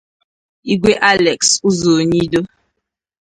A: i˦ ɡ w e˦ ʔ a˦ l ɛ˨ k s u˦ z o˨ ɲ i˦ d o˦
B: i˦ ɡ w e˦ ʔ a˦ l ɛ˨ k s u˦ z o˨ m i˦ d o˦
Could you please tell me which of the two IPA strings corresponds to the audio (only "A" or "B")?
A